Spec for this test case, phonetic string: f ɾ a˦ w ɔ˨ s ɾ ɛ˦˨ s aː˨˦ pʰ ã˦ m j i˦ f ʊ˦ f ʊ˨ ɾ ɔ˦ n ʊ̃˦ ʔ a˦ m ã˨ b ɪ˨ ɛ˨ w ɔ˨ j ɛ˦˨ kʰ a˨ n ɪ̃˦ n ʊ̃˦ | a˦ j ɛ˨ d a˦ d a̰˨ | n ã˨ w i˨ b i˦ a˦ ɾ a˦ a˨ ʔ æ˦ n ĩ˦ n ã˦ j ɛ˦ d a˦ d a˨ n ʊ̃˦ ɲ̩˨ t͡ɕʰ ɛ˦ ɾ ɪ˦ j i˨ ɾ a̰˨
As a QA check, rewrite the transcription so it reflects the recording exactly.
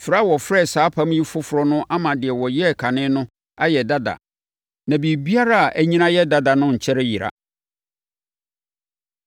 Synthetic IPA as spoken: f ɾ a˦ w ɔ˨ f ɾ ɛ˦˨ s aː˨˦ pʰ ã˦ m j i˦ f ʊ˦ f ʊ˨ ɾ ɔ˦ n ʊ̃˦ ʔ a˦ m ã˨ d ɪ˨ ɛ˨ w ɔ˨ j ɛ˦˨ kʰ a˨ n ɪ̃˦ n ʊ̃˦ | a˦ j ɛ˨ d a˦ d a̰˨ | n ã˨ b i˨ b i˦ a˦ ɾ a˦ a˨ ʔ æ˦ ɲ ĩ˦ n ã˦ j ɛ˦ d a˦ d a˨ n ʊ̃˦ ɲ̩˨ t͡ɕʰ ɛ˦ ɾ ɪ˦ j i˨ ɾ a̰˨